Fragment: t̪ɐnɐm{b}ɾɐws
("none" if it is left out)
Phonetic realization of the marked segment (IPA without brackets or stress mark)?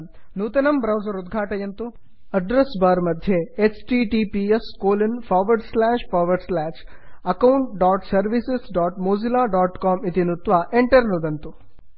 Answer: b